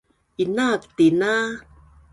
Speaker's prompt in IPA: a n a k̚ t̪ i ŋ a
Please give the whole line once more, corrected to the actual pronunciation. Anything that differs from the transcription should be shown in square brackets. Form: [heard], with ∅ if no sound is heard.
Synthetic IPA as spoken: [i] n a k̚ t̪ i [n] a